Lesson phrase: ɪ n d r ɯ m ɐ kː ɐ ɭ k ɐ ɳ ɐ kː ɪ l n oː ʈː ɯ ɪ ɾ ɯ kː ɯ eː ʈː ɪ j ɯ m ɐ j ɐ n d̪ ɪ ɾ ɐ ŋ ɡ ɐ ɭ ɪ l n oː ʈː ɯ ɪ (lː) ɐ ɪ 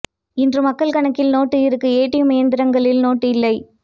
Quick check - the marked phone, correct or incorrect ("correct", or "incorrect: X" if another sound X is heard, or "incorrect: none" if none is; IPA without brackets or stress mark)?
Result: correct